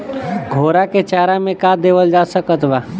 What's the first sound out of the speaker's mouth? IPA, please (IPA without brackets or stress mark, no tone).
ɡʱ